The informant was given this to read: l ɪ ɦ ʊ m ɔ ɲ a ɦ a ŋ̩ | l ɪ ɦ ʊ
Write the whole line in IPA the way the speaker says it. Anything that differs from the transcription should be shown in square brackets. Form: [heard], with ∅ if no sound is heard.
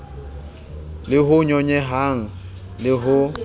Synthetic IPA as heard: l ɪ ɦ ʊ [ɲ] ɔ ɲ [ɛ] ɦ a ŋ̩ | l ɪ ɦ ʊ